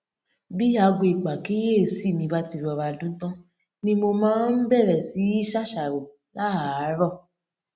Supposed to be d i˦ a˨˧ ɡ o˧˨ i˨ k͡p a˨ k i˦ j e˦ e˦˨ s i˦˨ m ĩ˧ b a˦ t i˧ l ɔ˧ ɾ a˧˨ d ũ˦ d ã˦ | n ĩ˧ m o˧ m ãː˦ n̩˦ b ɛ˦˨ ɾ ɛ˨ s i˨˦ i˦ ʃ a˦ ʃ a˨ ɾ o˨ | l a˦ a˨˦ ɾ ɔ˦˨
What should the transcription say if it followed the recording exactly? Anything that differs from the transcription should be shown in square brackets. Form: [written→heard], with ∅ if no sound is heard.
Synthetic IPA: [d→b] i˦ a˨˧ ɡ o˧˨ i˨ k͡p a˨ k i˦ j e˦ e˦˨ s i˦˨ m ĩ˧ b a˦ t i˧ [l→ɾ] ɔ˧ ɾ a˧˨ d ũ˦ [d→t] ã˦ | n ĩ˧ m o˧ m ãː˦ n̩˦ b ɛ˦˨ ɾ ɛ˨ s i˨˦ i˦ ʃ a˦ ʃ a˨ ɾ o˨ | l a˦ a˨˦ ɾ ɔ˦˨